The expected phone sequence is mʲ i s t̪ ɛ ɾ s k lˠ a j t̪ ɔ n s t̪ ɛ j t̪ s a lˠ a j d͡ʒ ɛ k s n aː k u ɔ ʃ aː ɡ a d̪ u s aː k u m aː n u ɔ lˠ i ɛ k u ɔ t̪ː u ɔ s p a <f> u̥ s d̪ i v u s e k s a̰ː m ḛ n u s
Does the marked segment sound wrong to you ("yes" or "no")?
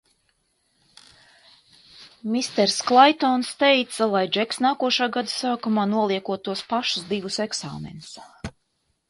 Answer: yes